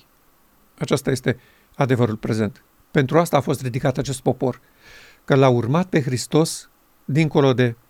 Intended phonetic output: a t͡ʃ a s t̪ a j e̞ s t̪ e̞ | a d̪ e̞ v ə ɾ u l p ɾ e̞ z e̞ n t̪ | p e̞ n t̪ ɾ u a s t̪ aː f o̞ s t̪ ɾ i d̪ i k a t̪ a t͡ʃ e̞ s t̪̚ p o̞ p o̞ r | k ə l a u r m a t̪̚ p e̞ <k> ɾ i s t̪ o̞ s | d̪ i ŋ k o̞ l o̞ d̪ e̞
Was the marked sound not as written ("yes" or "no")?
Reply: yes